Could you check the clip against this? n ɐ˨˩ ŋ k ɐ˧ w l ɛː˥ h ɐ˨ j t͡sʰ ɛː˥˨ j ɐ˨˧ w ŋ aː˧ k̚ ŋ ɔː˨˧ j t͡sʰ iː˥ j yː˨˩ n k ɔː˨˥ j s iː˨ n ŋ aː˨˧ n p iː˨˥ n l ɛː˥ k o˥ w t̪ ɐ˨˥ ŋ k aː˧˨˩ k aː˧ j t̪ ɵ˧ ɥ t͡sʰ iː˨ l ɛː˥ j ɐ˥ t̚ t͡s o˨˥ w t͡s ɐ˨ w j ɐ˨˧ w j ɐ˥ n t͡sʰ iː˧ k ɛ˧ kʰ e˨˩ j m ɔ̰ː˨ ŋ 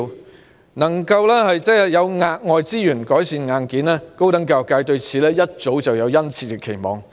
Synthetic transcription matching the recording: n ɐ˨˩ ŋ k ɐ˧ w l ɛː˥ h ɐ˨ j t͡s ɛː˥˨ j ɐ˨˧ w ŋ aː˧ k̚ ŋ ɔː˨˧ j t͡s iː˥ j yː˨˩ n k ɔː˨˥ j s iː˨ n ŋ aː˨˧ n k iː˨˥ n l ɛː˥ k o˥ w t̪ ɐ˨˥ ŋ k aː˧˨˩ k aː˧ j t̪ ɵ˧ ɥ t͡sʰ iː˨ l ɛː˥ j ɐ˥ t̚ t͡s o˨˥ w t͡s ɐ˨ w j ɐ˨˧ w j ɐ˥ n t͡sʰ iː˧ k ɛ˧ kʰ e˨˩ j m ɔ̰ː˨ ŋ